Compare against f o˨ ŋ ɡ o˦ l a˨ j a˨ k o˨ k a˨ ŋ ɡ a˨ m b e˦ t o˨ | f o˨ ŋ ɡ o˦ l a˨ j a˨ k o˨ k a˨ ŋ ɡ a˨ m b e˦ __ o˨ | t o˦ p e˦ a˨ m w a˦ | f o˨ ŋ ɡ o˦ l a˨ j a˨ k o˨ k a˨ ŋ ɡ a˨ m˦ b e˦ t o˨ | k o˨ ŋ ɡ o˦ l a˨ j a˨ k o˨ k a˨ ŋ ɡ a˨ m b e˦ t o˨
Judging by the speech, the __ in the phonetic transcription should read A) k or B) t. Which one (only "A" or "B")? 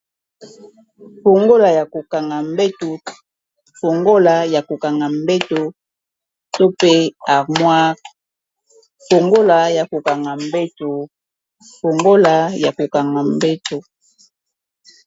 B